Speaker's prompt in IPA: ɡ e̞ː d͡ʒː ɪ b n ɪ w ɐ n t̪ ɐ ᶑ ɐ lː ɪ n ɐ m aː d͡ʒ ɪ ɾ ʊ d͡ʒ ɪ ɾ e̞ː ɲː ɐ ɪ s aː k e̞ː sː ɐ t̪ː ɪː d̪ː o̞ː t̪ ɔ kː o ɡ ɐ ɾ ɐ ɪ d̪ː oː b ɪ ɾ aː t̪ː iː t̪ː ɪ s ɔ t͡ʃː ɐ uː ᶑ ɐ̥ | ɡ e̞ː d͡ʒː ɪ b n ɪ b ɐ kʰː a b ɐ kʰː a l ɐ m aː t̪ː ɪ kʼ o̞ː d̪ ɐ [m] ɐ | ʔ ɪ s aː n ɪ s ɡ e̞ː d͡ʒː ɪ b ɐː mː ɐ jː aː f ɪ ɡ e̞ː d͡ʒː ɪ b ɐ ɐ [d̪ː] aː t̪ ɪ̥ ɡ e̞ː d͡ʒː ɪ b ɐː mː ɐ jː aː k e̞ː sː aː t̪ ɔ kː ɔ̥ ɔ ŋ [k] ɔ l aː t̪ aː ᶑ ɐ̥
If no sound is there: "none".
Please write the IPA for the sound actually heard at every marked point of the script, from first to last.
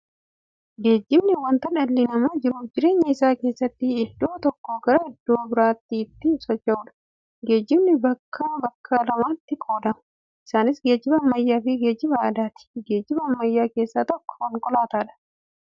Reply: m, d̪, kʼ

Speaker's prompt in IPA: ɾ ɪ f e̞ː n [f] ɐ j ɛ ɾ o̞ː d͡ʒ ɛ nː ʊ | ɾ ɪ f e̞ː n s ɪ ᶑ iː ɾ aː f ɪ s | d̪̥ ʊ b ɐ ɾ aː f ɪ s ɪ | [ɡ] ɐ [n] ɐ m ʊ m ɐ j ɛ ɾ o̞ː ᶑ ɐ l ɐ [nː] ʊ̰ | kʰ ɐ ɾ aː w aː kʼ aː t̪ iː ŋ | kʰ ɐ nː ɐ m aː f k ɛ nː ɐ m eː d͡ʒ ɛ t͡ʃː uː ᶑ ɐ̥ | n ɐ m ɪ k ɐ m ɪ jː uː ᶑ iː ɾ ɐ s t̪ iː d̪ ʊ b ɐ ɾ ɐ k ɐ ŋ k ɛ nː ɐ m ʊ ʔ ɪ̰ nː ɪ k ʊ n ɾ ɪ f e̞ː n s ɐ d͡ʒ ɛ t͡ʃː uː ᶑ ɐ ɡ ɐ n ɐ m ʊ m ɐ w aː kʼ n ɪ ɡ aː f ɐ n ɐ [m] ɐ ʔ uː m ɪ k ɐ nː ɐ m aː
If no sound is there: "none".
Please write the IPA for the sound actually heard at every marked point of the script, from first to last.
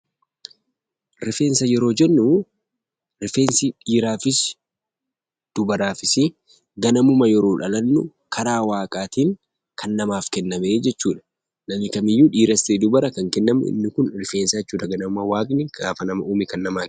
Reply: s, ɡ, n, nː, m

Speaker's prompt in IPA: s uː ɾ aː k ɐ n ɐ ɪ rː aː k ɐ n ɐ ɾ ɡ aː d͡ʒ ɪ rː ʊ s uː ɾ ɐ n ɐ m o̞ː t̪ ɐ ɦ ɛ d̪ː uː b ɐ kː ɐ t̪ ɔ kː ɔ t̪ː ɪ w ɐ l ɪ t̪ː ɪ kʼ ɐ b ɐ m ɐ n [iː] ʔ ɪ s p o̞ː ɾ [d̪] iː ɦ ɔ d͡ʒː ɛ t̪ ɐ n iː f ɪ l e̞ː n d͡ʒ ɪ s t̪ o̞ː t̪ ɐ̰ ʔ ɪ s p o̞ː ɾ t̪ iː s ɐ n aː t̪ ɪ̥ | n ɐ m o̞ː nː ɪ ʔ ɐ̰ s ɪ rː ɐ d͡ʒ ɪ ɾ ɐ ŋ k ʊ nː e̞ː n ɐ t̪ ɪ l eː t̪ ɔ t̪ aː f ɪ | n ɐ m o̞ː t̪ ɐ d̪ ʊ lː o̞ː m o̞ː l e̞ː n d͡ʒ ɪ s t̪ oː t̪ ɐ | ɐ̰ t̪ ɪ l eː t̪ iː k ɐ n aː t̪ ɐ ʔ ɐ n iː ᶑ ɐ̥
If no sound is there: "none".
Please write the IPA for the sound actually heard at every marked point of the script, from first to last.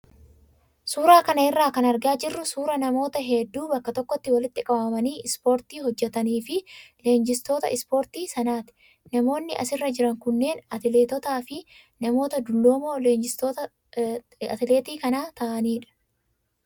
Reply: iː, t̪

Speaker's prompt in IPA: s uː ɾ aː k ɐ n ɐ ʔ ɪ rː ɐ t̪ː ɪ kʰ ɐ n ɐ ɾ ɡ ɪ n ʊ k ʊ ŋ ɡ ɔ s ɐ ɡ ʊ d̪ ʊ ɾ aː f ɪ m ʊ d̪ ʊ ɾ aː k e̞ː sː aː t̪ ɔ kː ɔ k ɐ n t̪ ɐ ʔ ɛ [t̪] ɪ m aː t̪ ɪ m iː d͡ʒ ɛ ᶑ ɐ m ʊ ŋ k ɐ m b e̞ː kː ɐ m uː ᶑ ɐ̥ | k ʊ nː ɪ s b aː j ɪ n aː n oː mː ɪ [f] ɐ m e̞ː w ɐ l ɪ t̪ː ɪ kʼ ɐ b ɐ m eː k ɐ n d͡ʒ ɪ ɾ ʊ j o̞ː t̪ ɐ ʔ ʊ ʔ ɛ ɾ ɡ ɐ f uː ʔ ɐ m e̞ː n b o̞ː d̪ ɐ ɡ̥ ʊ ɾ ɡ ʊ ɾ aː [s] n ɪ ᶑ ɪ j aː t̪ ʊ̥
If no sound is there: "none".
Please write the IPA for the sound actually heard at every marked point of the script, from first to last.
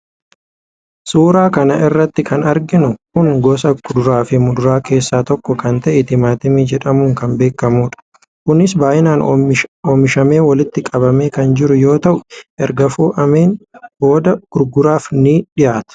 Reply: t̪, ʃ, f

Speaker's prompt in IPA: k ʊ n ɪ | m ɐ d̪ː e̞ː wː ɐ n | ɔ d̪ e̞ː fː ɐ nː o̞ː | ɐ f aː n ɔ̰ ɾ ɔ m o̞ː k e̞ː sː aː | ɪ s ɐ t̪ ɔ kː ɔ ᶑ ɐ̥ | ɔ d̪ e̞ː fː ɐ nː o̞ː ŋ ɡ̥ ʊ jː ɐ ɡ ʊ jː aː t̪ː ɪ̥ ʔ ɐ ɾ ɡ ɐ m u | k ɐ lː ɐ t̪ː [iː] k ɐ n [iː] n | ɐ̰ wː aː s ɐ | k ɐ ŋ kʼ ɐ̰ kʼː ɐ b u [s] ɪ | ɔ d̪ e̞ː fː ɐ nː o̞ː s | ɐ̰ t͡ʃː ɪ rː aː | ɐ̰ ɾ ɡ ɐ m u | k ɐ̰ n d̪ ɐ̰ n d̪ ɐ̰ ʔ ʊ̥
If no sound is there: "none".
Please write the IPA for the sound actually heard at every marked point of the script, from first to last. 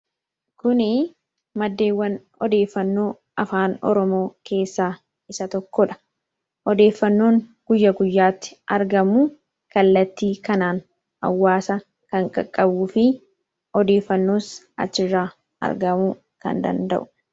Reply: iː, aː, f

